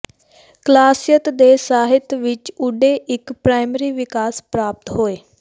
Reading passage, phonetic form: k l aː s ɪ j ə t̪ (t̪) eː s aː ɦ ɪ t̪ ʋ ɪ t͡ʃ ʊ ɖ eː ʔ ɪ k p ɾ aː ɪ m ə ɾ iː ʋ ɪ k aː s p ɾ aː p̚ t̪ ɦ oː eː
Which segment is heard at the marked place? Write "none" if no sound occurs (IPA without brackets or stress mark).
d̪